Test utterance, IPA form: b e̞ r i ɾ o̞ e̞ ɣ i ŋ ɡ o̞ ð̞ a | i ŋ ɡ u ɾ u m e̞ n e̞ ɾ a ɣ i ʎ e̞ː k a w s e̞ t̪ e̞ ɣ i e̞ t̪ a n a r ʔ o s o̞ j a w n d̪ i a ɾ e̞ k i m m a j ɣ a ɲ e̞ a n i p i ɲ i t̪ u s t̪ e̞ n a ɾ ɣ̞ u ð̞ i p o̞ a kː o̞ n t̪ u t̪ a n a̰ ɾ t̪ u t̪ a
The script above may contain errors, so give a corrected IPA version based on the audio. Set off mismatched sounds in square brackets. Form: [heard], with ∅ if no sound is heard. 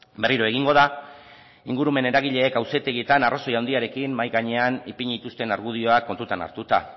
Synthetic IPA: b e̞ r i ɾ o̞ e̞ ɣ i ŋ ɡ o̞ ð̞ a | i ŋ ɡ u ɾ u m e̞ n e̞ ɾ a ɣ i ʎ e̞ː k a w s e̞ t̪ e̞ ɣ i e̞ t̪ a n a r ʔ o s o̞ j a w n d̪ i a ɾ e̞ k i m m a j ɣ a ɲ e̞ a n i p i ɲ i t̪ u s t̪ e̞ n a ɾ ɣ̞ u ð̞ i [∅] o̞ a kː o̞ n t̪ u t̪ a n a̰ ɾ t̪ u t̪ a